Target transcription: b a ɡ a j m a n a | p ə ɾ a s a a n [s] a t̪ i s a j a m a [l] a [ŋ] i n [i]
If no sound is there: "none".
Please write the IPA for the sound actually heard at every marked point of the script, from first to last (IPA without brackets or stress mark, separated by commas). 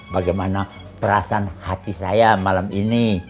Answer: h, l, m, i